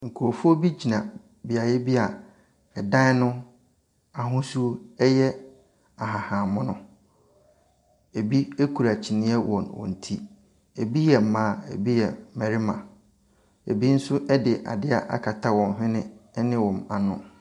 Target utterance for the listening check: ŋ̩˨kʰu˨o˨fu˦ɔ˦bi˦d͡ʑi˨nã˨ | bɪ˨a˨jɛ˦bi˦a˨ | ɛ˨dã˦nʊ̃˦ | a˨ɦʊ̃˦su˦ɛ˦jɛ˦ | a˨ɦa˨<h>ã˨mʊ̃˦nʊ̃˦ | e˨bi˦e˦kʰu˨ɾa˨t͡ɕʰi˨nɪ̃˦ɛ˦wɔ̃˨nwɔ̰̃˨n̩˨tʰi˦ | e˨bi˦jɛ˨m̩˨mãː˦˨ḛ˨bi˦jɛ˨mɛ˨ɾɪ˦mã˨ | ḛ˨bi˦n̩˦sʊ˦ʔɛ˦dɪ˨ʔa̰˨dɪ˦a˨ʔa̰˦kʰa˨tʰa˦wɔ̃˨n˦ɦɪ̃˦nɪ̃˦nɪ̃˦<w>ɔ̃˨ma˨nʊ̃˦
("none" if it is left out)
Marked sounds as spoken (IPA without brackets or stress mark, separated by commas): h, w